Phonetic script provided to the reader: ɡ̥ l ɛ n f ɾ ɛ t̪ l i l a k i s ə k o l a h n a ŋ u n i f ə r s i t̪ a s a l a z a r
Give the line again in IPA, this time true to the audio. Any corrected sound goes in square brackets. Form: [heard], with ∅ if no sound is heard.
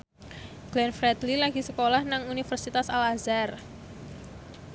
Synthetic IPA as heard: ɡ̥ l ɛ n f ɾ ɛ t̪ l i l a [ɡ] i s ə k o l a h n a ŋ u n i f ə r s i t̪ a s a l a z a r